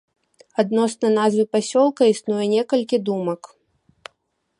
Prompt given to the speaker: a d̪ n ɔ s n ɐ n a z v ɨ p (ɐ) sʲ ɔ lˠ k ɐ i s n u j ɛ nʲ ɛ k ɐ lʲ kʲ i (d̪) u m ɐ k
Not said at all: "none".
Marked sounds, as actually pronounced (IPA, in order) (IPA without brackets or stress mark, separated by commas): a, d̪